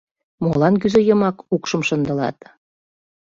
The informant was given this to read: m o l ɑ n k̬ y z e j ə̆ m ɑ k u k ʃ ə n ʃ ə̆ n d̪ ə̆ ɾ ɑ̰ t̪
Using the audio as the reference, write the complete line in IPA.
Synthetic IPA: m o l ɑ n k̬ y z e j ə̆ m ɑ k u k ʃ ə m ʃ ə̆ n d̪ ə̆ l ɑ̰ t̪

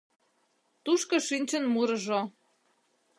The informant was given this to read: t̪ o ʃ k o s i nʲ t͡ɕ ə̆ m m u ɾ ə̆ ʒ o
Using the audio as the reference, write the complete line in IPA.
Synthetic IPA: t̪ u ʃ k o ʃ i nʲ t͡ɕ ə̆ n m u ɾ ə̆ ʒ o

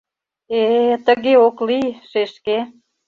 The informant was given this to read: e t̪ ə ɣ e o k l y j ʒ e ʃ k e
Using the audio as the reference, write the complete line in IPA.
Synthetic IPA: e t̪ ə ɣ e o k l i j ʃ e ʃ k e

